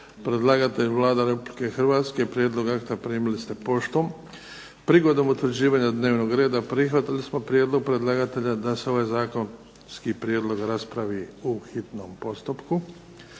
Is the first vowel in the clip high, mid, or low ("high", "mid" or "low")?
mid